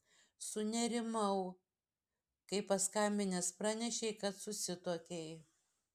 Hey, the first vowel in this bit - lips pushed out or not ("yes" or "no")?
yes